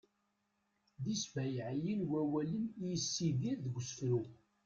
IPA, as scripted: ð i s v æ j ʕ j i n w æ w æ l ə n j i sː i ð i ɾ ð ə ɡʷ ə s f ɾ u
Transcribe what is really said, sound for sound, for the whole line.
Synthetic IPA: ð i s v æ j ʕ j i n w æ w æ l ə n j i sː i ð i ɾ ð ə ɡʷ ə s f ɾ u